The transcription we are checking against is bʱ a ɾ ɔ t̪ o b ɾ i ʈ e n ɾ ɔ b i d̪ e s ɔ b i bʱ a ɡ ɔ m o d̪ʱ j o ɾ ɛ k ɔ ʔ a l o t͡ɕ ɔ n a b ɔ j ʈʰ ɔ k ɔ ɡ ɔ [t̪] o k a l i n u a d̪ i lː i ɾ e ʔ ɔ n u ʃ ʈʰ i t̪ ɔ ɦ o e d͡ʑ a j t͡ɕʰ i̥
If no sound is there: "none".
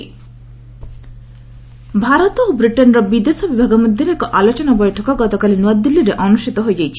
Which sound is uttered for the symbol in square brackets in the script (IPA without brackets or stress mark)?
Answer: t̪